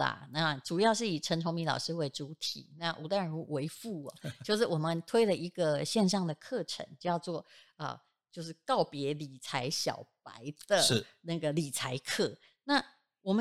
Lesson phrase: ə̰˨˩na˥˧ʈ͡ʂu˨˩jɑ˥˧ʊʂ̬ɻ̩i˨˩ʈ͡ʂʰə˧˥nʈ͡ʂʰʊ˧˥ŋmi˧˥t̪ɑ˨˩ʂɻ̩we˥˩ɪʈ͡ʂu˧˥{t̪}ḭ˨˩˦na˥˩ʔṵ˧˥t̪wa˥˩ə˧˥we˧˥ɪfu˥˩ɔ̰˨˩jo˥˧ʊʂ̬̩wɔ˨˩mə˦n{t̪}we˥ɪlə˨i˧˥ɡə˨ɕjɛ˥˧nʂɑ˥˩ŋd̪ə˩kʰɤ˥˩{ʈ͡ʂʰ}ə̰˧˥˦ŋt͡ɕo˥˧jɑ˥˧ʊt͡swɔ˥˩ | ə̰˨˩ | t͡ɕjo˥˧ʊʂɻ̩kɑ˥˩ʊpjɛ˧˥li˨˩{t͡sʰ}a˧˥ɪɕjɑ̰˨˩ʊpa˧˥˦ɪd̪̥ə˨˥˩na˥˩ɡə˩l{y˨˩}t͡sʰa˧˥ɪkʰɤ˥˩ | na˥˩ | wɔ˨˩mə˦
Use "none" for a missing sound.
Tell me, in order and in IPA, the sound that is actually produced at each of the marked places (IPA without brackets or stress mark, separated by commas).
t̪ʰ, t̪ʰ, ʈ͡ʂʰ, t͡sʰ, i˨˩